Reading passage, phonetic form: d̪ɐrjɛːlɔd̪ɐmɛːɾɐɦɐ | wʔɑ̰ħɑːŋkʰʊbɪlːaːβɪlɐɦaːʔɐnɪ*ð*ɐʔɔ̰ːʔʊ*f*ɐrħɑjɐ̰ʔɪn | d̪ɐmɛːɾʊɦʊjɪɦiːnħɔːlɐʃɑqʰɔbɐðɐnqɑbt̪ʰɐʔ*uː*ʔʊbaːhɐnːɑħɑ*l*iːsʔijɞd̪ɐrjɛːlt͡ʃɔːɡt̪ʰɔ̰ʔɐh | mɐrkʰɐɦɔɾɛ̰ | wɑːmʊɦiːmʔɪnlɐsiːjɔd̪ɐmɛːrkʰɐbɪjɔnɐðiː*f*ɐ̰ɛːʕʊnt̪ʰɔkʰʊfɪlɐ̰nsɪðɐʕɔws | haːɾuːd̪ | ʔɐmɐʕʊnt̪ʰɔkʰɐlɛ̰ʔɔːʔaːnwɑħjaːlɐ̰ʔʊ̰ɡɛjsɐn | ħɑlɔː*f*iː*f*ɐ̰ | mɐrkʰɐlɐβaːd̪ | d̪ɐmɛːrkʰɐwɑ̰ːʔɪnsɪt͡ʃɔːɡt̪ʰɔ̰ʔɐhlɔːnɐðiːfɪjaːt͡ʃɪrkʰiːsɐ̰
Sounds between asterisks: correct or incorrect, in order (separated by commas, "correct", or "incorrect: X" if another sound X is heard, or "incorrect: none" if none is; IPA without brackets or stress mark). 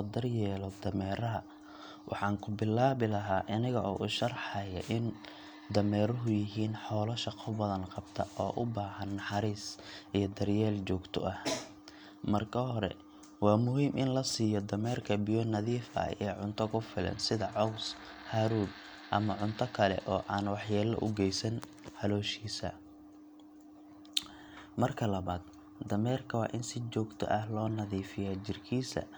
incorrect: ɣ, incorrect: ʃ, incorrect: ɔː, incorrect: ɾ, correct, incorrect: ʃ, incorrect: s